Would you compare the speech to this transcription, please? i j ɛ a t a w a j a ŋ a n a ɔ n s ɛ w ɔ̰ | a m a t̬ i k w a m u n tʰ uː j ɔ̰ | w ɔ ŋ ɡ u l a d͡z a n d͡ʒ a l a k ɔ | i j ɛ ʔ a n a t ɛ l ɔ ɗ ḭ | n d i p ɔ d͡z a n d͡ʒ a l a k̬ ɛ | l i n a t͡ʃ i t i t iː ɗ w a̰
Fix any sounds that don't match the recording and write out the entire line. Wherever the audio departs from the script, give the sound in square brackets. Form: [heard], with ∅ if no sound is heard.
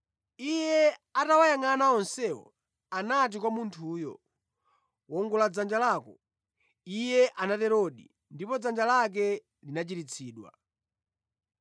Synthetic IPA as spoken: i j ɛ a t a w a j a ŋ a n a ɔ n s ɛ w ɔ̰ | a [n] a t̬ i k w a m u n tʰ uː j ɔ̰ | w ɔ ŋ ɡ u l a d͡z a n d͡ʒ a l a k ɔ | i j ɛ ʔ a n a t ɛ [ɾ] ɔ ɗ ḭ | n d i p ɔ d͡z a n d͡ʒ a l a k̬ ɛ | l i n a t͡ʃ i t i [t͡sʰ] iː ɗ w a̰

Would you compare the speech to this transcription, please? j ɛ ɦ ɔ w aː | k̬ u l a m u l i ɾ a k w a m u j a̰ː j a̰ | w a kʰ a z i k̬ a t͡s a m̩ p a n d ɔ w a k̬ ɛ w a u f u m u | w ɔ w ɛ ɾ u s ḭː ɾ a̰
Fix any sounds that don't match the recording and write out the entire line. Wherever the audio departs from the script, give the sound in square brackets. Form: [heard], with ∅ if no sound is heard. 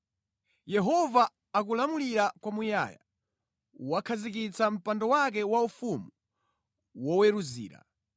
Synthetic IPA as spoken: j ɛ ɦ ɔ [v] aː | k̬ u l a m u l i ɾ a k w a m u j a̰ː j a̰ | w a kʰ a z i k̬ [i] t͡s a m̩ p a n d ɔ w a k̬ ɛ w a u f u m u | w ɔ w ɛ ɾ u [z] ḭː ɾ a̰

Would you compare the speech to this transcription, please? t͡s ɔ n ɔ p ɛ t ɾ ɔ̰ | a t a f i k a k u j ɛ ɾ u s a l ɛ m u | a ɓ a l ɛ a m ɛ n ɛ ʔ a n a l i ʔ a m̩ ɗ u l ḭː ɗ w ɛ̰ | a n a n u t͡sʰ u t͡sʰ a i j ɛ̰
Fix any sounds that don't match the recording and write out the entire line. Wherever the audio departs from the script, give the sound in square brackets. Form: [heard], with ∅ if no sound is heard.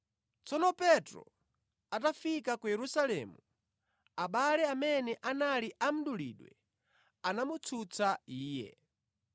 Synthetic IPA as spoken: t͡s ɔ n ɔ p ɛ t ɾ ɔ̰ | a t a f i k a k u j ɛ ɾ u s a l ɛ m u | a ɓ a l ɛ a m ɛ n ɛ ʔ a n a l i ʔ a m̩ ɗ u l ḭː ɗ w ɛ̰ | a n a [m] u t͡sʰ u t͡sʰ a [iː] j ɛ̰

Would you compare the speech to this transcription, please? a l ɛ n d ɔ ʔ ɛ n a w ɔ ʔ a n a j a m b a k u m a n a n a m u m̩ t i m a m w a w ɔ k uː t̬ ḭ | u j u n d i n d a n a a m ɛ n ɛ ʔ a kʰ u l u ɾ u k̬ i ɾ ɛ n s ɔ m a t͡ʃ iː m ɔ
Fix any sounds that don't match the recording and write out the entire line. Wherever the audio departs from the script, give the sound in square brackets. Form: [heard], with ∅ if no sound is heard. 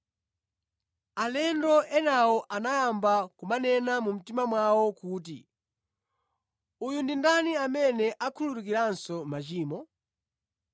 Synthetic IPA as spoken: a l ɛ n d ɔ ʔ ɛ n a w ɔ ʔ a n a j a m b a k u m a n [ɛ] n a m u m̩ t i m a m w a w ɔ k uː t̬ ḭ | u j u n d i n d a n [i] a m ɛ n ɛ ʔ a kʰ u l u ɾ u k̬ i ɾ [a] n s ɔ m a t͡ʃ iː m ɔ

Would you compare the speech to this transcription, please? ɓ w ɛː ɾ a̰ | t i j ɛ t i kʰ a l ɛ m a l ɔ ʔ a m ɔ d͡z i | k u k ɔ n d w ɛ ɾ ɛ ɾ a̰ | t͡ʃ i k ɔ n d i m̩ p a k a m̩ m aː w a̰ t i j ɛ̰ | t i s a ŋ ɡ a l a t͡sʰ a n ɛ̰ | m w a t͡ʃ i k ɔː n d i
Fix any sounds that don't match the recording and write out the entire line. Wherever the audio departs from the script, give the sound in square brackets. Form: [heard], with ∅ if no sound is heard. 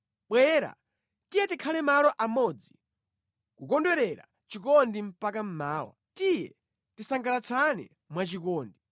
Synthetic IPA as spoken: ɓ w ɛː ɾ a̰ | t i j ɛ t i kʰ a l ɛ m a l ɔ ʔ a m ɔ d͡z i | k u k ɔ n d w ɛ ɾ ɛ ɾ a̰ | t͡ʃ i k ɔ n d i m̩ p a k a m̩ m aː w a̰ t i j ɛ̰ | t i s a ŋ ɡ a l a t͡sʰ a n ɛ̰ | m w a t͡ʃ i k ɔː n d i

